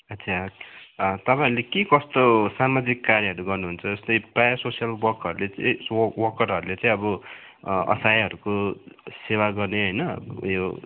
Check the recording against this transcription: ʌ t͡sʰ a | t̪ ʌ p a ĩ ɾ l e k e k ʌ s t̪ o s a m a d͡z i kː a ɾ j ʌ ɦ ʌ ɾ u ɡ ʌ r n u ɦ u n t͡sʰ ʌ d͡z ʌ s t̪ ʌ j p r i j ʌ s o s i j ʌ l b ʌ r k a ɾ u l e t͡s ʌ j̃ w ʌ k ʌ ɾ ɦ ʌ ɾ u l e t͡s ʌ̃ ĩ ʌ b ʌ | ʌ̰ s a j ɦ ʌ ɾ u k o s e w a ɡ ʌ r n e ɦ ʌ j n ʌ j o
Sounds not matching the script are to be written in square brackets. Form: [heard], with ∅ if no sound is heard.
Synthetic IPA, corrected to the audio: ʌ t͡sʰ a | t̪ ʌ p a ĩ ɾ l e k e k ʌ s t̪ o s a m a d͡z i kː a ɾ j ʌ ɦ ʌ ɾ u ɡ ʌ r n u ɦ u n t͡sʰ ʌ d͡z ʌ s t̪ ʌ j p r [a] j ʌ s o s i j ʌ l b ʌ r k [ʌ] ɾ u l e t͡s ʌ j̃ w ʌ k ʌ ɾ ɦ ʌ ɾ u l e t͡s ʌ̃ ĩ ʌ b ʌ | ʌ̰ s a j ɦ ʌ ɾ u k o s e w a ɡ ʌ r n e ɦ ʌ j n ʌ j o